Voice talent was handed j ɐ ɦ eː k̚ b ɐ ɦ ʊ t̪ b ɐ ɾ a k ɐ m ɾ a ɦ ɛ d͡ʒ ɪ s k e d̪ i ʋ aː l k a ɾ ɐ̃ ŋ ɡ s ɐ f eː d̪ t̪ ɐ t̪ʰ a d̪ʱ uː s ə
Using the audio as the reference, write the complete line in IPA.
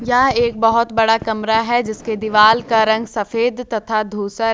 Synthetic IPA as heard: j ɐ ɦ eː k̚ b ɐ ɦ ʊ t̪ b ɐ ɽ a k ɐ m ɾ a ɦ ɛ d͡ʒ ɪ s k e d̪ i ʋ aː l k a ɾ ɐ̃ ŋ ɡ s ɐ f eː d̪ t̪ ɐ t̪ʰ a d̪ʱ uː s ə